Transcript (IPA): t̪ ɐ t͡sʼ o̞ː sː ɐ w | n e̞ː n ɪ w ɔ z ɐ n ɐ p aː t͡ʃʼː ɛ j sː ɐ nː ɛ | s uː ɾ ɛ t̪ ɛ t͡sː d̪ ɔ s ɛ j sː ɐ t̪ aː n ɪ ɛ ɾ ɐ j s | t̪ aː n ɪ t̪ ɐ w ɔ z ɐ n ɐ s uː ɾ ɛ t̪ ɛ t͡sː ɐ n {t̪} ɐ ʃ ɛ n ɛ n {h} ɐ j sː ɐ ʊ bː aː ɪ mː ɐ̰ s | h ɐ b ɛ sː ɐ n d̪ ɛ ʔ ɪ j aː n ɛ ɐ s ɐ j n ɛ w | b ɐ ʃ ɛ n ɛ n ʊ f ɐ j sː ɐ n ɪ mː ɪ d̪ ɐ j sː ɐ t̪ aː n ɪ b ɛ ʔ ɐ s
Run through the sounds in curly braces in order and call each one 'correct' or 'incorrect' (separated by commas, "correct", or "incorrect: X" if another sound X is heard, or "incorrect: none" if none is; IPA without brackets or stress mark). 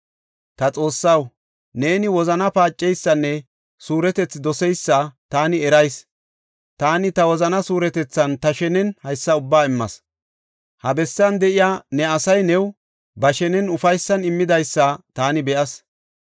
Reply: correct, correct